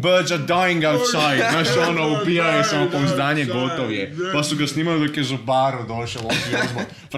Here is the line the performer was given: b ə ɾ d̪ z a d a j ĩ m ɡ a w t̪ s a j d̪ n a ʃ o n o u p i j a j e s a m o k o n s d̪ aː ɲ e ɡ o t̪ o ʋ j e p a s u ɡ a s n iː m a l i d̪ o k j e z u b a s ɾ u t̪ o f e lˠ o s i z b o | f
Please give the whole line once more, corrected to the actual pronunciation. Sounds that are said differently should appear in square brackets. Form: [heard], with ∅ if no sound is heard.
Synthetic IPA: b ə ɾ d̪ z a d a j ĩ [ŋ] ɡ a w t̪ s a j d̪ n a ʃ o n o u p i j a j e s a m o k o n [z] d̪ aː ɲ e ɡ o t̪ o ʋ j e p a s u ɡ a s n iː m a l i d̪ o k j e z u b a [∅] ɾ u [d̪] o [ʃ] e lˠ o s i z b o | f